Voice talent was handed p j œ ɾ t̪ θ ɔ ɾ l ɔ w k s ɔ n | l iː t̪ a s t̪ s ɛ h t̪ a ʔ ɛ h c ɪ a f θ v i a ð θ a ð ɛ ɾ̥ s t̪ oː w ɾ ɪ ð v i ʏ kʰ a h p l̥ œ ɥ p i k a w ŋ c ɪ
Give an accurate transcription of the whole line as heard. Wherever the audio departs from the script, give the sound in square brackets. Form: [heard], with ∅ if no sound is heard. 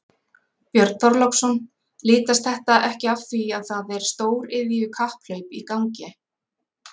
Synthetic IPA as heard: p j œ ɾ t̪ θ ɔ ɾ l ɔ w k s ɔ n | l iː t̪ a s t̪ [θ] ɛ h t̪ a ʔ ɛ h c ɪ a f θ v i a ð θ a ð ɛ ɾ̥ s t̪ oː w ɾ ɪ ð v i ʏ kʰ a h p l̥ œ ɥ p i k a w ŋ c ɪ